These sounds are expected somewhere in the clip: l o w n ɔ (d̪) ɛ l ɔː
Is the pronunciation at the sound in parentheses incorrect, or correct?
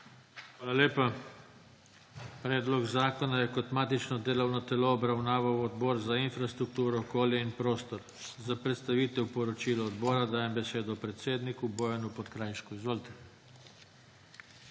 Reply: incorrect